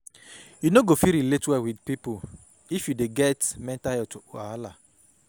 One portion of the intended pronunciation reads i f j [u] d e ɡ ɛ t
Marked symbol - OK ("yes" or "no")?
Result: yes